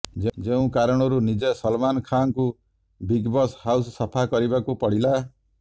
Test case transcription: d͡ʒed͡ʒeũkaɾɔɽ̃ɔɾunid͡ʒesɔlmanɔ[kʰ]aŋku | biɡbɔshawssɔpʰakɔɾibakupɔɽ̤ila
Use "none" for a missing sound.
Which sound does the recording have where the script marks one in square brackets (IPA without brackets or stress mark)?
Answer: kʰ